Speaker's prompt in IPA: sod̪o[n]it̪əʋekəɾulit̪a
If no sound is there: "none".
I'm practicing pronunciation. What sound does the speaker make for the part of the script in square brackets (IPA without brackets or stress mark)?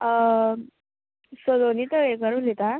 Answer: n